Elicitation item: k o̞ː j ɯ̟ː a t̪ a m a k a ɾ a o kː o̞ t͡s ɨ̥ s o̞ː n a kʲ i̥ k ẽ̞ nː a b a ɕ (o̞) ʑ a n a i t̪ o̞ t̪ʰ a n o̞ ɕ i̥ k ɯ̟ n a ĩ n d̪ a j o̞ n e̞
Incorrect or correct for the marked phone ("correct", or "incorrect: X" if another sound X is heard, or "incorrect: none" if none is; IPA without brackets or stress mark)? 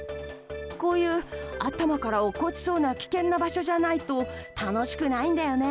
correct